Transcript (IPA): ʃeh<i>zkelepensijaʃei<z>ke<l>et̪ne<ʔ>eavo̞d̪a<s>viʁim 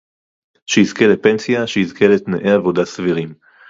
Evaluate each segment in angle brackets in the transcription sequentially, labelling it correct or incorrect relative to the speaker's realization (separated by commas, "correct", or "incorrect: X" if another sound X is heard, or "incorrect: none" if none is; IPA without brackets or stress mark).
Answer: correct, correct, correct, correct, correct